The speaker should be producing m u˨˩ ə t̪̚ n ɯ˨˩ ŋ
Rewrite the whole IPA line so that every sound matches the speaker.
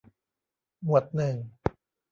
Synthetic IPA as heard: m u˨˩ ə t̪̚ n ɯ˨˩ ŋ